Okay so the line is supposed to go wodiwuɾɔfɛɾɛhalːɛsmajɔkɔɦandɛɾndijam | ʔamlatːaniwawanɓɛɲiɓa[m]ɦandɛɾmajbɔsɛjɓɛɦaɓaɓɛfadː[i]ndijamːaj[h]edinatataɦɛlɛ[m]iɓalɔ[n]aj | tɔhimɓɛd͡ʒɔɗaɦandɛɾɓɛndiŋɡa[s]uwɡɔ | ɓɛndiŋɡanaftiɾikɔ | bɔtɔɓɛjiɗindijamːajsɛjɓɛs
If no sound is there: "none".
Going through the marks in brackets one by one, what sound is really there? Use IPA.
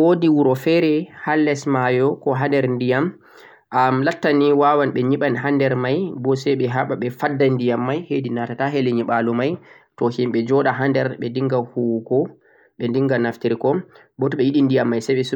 n, a, h, ɲ, m, h

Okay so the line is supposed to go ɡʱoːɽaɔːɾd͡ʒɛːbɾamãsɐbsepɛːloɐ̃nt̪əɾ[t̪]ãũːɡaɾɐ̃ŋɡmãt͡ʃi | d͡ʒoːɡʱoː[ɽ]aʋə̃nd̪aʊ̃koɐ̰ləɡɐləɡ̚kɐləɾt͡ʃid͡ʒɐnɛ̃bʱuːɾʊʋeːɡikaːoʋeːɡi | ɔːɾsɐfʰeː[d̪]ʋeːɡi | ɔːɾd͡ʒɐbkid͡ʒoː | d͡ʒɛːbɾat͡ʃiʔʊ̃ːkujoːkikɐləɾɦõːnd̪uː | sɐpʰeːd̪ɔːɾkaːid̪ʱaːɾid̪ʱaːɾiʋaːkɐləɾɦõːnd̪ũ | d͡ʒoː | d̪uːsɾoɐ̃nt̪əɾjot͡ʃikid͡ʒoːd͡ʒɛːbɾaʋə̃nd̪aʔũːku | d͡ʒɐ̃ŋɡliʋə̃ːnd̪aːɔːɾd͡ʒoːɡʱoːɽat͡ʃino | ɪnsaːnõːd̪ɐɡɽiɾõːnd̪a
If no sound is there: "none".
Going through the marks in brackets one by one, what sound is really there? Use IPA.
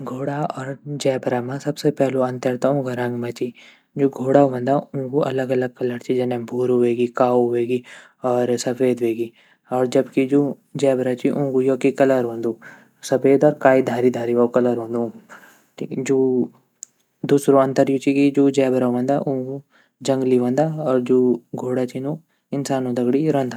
t̪, ɽ, d̪

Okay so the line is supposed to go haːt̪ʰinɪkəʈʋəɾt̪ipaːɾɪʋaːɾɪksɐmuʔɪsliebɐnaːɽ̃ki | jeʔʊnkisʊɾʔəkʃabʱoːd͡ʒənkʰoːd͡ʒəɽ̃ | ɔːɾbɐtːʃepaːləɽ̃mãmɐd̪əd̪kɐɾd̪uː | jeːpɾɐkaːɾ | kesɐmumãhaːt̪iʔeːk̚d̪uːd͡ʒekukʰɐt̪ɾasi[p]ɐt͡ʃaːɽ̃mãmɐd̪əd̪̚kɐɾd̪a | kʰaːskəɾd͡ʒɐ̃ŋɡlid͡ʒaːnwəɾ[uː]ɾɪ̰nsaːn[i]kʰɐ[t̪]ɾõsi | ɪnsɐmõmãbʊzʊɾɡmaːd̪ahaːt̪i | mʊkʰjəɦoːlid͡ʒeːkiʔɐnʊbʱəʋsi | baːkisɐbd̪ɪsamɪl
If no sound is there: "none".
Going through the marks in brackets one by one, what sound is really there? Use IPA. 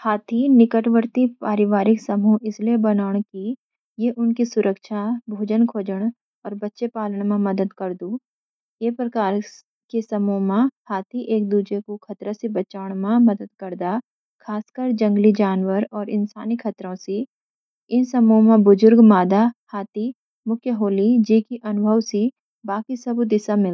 b, ɔː, i, t̪

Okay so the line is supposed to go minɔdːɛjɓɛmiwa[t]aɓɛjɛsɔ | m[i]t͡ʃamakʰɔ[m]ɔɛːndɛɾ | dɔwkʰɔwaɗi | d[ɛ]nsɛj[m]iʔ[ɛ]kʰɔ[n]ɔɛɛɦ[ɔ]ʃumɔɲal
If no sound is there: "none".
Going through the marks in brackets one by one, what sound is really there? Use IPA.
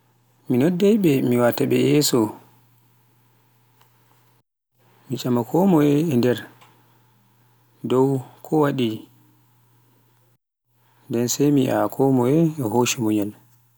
t, i, m, ɛ, m, a, m, o

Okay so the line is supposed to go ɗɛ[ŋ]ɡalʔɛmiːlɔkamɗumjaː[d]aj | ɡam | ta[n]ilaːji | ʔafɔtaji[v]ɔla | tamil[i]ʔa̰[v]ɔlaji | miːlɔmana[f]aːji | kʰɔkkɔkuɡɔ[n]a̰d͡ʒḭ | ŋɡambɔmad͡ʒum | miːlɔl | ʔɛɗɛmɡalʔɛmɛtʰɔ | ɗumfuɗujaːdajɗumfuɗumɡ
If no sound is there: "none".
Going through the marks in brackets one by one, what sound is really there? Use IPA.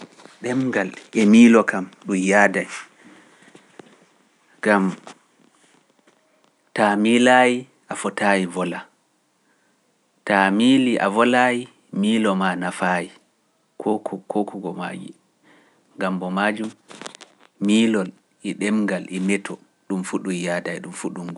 m, d, m, v, i, v, f, m

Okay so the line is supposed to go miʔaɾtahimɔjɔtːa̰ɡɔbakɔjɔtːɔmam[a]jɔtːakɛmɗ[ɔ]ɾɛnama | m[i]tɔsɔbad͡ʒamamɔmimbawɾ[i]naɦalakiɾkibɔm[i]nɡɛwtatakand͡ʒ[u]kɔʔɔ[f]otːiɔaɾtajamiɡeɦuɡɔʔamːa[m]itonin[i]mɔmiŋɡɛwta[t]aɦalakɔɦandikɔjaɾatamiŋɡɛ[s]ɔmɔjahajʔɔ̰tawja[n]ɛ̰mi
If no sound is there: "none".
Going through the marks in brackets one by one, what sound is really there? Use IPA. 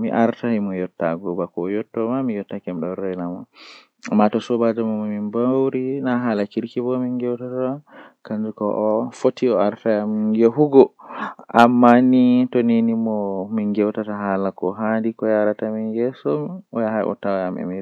i, ɔ, a, i, i, u, f, n, i, t, s, m

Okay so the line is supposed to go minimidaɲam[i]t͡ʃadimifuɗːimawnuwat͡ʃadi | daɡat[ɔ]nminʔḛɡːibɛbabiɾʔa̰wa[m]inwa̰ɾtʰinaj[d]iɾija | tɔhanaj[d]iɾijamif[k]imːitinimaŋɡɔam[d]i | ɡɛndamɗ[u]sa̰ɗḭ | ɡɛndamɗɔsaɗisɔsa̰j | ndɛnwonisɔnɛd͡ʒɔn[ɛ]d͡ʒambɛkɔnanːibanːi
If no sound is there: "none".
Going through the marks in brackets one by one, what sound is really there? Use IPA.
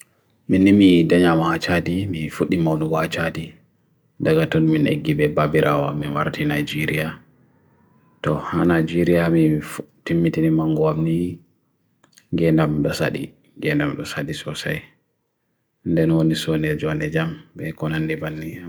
a, ɔ, m, d͡ʒ, d͡ʒ, t, n, ɔ, ɛ

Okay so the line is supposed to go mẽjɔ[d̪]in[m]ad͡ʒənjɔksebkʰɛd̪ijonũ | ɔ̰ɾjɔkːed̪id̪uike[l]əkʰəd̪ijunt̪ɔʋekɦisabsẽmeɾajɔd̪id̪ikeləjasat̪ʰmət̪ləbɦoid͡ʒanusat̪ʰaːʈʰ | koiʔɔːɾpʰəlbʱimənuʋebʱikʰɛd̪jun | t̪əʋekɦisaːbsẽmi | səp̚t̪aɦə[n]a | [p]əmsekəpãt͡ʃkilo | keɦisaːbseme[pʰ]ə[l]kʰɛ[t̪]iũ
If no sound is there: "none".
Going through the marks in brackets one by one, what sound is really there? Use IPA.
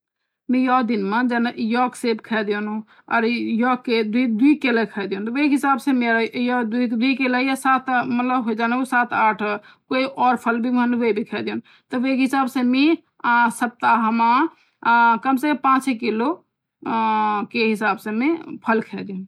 d̪, m, l, m, k, pʰ, l, d̪

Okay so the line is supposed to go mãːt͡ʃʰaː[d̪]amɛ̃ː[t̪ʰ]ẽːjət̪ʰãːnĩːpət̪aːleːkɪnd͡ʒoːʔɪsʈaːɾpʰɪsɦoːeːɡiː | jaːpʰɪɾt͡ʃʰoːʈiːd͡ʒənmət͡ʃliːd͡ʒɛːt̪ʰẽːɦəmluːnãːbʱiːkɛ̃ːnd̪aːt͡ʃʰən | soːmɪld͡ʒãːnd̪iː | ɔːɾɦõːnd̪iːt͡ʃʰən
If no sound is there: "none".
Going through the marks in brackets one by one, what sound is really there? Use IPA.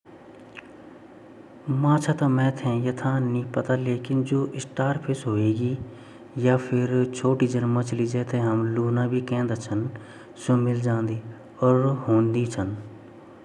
t̪, t̪ʰ

